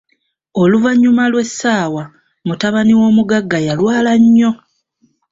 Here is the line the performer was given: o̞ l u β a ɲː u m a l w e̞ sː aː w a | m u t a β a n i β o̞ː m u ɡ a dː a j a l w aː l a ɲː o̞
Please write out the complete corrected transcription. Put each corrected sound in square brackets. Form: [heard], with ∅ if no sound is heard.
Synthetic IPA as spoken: o̞ l u [v] a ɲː u m a l w e̞ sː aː w a | m u t a β a n i [w] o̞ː m u ɡ a [ɡː] a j a l w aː l a ɲː o̞

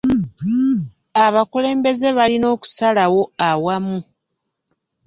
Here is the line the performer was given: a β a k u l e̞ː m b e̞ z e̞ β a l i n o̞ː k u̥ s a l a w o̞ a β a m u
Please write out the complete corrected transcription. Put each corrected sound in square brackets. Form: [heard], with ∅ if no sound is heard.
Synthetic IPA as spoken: a β a k u l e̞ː m b e̞ z e̞ β a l i n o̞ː k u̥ s a l a w o̞ a [w] a m u

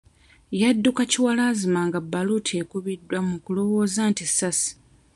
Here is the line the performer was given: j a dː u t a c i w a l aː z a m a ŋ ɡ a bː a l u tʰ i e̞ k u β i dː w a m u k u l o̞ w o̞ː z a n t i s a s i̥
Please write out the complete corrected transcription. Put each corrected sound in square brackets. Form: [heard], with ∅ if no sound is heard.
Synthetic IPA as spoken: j a dː u [k] a c i w a l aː z [i] m a ŋ ɡ a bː a l u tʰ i e̞ k u β i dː w a m u k u l o̞ w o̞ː z a n t i s a s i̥

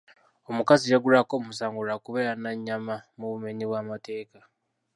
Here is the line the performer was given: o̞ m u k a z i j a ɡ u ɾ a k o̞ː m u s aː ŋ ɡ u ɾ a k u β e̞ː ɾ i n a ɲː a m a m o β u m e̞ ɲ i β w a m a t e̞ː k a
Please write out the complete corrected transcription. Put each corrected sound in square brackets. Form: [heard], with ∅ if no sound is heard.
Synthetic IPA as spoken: o̞ m u k a z i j a ɡ u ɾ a k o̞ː m u s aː ŋ ɡ u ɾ a k u β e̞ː ɾ [a] n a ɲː a m a m [u] β u m e̞ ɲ i β w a m a t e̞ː k a

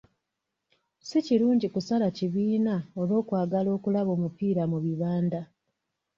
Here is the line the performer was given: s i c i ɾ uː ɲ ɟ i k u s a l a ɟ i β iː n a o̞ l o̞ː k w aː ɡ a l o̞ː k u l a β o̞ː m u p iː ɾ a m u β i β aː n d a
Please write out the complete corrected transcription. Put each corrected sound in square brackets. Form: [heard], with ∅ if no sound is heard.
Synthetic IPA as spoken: s i c i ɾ uː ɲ ɟ i k u s a l a [c] i β iː n a o̞ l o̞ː k w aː ɡ a l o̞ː k u l a β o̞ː m u p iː ɾ a m u β i β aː n d a

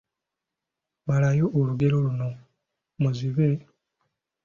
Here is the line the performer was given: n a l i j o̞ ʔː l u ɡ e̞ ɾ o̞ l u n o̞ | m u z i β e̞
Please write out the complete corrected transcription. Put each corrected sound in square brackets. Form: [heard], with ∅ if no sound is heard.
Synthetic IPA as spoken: [m] a l [a] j o̞ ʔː l u ɡ e̞ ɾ o̞ l u n o̞ | m u z i β e̞

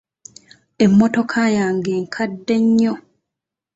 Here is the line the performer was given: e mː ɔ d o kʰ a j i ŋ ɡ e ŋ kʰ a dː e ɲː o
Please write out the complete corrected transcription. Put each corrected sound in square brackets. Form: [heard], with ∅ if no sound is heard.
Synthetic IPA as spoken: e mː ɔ [t] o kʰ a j [a] ŋ ɡ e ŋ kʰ a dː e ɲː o

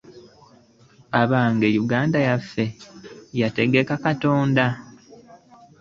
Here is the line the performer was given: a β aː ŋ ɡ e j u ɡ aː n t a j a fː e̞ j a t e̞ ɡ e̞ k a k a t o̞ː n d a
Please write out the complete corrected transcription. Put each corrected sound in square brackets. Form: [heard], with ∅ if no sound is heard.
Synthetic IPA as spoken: a β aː ŋ ɡ e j u ɡ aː n [d] a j a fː e̞ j a t e̞ ɡ e̞ k a k a t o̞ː n d a

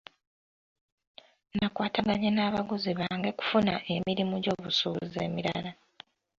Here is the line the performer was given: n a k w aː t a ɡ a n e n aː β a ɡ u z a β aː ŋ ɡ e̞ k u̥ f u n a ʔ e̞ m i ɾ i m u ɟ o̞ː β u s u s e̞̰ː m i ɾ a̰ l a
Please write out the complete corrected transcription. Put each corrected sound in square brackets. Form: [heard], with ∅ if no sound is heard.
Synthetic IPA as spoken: n a k w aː t a ɡ a [ɲ] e n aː β a ɡ u z [i] β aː ŋ ɡ e̞ k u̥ f u n a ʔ e̞ m i ɾ i m u ɟ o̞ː β u s u [z] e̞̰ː m i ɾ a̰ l a

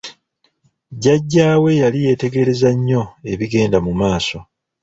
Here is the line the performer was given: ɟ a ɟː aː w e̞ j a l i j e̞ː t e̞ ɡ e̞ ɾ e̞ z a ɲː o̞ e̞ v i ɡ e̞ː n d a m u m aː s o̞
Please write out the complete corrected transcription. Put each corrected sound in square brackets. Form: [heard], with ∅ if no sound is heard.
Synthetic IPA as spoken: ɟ a ɟː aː w e̞ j a l i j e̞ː t e̞ ɡ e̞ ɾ e̞ z a ɲː o̞ e̞ [β] i ɡ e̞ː n d a m u m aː s o̞

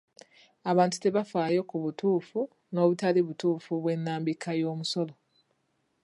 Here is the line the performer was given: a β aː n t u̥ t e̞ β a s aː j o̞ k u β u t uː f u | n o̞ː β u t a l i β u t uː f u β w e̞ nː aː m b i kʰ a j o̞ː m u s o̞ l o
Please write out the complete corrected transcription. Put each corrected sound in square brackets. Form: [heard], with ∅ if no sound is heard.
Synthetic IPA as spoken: a β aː n t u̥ t e̞ β a [f] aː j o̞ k u β u t uː f u | n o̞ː β u t a l i β u t uː f u β w e̞ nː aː m b i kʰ a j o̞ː m u s o̞ l o

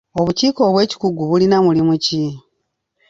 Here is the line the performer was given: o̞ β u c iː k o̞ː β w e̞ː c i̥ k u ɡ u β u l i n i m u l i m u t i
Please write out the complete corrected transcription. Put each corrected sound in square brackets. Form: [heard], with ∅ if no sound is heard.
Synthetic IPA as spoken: o̞ β u c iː k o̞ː β w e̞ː c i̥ k u ɡ u β u l i n [a] m u l i m u [c] i

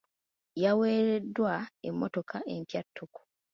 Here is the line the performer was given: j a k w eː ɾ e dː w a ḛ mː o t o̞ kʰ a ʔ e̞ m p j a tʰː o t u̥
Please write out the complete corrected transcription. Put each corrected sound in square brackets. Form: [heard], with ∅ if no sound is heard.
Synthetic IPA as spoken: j a [∅] w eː ɾ e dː w a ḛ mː o t o̞ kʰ a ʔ e̞ m p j a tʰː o [k] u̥

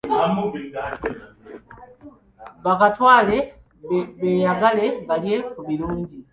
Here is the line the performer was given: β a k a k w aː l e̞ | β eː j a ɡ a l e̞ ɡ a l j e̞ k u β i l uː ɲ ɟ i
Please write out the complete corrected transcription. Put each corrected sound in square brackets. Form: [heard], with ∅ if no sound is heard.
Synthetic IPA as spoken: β a k a [t] w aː l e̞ | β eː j a ɡ a l e̞ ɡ a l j e̞ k u β i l uː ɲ ɟ i

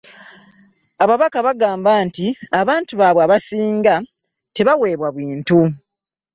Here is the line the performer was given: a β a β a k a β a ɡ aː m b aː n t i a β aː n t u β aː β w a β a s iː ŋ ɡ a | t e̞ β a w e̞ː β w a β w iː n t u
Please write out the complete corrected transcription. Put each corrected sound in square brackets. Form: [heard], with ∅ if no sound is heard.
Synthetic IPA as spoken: a β a β a k a β a ɡ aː m b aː n t i a β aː n t u β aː β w a β a s iː ŋ ɡ a | t e̞ β a w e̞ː β w a β w iː n t u

